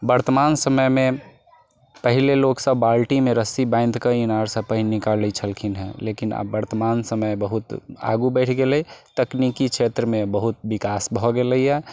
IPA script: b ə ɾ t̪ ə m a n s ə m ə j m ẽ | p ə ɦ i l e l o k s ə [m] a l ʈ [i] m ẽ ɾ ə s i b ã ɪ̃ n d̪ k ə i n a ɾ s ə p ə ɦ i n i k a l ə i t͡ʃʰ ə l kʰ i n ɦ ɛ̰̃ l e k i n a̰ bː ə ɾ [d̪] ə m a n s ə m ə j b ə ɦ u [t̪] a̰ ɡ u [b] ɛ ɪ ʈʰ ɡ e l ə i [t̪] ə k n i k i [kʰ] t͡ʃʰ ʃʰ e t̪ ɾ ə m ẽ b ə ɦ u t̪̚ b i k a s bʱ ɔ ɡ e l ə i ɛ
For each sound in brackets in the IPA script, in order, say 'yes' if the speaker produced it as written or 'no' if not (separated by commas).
no, yes, no, yes, yes, yes, no